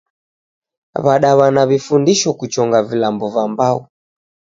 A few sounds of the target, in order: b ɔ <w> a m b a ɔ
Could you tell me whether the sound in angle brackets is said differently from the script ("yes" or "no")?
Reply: yes